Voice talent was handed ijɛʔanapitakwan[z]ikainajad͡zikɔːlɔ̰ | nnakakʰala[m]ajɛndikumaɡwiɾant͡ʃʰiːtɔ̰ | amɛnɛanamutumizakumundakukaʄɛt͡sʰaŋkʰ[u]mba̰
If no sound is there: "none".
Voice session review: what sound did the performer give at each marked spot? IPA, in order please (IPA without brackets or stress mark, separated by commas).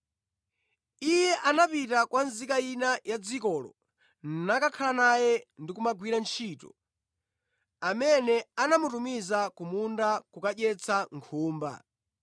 z, n, uː